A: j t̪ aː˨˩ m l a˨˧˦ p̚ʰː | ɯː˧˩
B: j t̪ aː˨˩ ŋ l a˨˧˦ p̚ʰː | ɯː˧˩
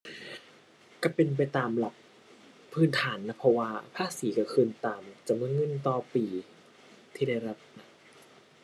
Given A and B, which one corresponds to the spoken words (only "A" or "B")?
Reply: A